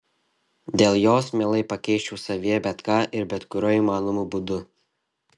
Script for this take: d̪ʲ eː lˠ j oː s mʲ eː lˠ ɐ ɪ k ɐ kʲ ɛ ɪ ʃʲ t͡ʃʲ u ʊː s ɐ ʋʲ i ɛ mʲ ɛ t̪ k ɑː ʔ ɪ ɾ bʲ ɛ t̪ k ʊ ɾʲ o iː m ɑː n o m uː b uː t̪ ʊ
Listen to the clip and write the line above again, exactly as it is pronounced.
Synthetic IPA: d̪ʲ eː lˠ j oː s mʲ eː lˠ ɐ ɪ p ɐ kʲ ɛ ɪ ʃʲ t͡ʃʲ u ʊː s ɐ ʋʲ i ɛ bʲ ɛ t̪ k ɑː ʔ ɪ ɾ bʲ ɛ t̪ k ʊ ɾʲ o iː m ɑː n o m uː b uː d̪ ʊ